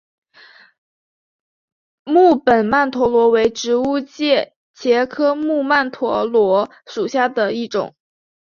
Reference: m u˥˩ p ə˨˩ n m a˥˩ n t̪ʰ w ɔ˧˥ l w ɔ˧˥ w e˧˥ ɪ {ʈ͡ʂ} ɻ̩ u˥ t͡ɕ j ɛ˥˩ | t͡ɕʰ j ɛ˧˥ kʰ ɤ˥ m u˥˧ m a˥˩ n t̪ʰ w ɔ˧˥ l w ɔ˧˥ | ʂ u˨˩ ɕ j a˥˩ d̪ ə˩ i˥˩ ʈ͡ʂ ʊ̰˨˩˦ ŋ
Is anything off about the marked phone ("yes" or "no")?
no